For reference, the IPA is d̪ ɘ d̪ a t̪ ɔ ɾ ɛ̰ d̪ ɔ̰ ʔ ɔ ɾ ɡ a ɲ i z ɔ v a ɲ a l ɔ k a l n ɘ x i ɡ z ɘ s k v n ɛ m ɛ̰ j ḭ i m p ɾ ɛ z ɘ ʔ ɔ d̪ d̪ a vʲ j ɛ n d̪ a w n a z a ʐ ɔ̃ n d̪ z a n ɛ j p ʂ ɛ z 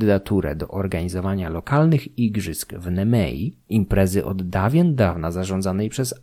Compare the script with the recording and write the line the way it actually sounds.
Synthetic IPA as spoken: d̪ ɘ d̪ a t̪ u ɾ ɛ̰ d̪ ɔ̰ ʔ ɔ ɾ ɡ a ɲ i z ɔ v a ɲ a l ɔ k a l n ɘ x i ɡ ʐ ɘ s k v n ɛ m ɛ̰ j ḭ i m p ɾ ɛ z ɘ ʔ ɔ d̪ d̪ a vʲ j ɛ n d̪ a v n a z a ʐ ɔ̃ n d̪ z a n ɛ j p ʂ ɛ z